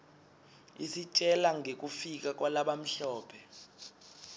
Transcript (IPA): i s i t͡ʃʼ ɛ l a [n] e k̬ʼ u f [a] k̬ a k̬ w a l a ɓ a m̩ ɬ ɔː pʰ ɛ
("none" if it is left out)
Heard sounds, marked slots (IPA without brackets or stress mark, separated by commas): ŋ, i